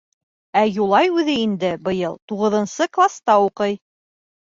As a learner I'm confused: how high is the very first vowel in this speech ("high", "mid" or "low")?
low